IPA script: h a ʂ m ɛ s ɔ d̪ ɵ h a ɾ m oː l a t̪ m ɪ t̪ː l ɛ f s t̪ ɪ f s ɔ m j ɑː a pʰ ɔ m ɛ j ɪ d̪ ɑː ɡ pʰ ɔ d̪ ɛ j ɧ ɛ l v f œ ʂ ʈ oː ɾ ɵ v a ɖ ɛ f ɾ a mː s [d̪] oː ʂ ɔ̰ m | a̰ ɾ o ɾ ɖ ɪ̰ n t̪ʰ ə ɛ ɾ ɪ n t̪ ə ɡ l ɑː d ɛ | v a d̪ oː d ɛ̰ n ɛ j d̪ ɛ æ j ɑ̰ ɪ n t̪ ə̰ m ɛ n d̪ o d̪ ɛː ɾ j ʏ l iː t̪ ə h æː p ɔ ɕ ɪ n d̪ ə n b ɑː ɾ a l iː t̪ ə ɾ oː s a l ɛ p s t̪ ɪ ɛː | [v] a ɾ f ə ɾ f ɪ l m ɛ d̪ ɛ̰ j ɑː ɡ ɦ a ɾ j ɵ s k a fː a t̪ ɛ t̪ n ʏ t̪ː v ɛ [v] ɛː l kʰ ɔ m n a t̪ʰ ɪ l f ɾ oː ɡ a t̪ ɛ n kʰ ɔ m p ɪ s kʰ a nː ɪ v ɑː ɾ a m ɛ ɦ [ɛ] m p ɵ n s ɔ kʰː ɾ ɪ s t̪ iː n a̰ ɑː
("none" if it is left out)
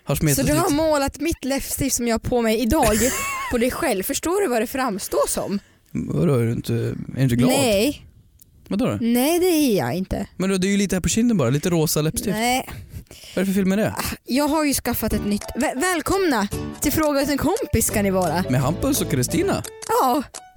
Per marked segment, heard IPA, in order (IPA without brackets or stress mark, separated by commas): t̪, v, v, a